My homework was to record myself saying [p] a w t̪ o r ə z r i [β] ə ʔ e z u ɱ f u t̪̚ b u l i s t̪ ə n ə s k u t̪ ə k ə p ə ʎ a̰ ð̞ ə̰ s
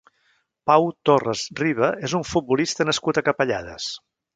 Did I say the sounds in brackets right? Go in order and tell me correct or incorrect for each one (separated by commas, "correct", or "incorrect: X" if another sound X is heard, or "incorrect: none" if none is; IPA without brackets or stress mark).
correct, correct